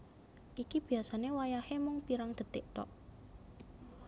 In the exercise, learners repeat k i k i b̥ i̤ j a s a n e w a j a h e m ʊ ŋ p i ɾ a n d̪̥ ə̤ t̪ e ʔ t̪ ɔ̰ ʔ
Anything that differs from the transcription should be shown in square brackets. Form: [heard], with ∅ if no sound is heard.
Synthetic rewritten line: [ʔ] i k i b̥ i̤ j a s a n e w a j a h e m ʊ ŋ p i ɾ a [ŋ] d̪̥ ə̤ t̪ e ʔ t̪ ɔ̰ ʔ